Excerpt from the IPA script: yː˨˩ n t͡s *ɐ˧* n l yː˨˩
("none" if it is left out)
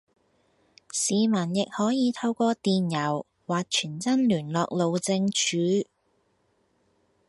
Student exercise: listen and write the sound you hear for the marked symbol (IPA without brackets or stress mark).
ɐ˥